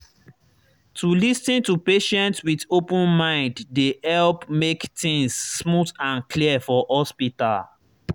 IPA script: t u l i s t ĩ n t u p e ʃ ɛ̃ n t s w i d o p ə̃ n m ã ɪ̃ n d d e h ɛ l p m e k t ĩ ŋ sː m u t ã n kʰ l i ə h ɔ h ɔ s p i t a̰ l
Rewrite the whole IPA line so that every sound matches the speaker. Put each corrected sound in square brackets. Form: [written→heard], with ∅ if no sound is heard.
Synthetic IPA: t u l i s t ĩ n t u p e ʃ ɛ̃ n t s w i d o p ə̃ n m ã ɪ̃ n d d e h ɛ l p m e k t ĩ ŋ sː m u t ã n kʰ l i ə [h→f] ɔ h ɔ s p i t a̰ l